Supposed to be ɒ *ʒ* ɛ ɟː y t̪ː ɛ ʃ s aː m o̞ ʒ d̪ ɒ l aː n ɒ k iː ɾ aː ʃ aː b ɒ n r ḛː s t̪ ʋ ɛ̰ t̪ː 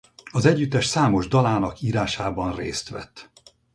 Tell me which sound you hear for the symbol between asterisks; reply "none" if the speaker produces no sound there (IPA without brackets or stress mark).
z